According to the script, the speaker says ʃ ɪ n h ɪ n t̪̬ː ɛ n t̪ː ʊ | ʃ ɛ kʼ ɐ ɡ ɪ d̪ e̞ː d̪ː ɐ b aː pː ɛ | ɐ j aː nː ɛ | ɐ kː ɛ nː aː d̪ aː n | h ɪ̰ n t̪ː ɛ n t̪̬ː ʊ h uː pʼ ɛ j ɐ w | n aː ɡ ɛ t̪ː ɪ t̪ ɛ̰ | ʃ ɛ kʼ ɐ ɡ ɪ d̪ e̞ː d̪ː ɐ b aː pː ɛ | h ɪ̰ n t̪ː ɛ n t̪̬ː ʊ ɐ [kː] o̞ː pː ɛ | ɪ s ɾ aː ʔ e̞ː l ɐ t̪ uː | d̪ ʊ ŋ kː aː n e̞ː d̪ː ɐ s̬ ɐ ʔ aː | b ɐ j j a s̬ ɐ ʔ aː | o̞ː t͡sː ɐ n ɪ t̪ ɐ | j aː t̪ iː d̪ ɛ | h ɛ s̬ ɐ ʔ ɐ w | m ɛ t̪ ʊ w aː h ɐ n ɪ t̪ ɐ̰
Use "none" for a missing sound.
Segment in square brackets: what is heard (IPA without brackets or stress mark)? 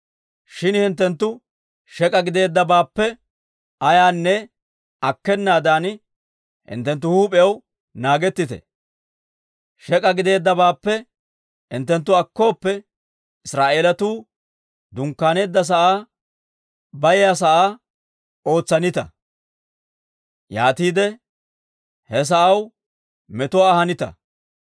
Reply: kː